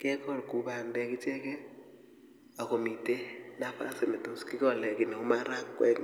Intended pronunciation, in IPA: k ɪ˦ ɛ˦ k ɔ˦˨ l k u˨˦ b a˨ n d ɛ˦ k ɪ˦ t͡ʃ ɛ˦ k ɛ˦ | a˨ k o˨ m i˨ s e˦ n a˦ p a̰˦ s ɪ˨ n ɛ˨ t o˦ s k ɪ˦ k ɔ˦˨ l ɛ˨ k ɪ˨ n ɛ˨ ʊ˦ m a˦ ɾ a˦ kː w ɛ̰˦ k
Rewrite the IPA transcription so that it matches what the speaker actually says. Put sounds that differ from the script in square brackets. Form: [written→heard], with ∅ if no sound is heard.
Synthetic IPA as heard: k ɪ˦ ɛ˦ k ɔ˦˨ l k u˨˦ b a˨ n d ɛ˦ k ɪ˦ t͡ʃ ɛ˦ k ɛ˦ | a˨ k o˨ m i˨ [s→t] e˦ n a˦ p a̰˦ s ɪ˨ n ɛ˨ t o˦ s k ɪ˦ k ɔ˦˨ l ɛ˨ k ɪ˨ n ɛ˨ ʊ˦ m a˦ ɾ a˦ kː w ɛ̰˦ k